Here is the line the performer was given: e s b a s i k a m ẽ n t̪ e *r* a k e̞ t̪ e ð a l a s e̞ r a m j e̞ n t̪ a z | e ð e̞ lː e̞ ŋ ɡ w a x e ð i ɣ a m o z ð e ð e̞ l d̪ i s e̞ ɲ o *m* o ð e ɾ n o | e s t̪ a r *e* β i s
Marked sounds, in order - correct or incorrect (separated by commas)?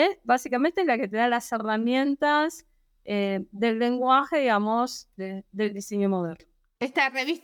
incorrect, correct, correct